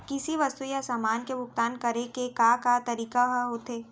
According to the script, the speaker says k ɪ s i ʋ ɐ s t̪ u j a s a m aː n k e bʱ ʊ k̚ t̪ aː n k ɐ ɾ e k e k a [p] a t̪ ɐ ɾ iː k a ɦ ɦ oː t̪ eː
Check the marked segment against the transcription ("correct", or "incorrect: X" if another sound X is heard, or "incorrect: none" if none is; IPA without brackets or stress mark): incorrect: k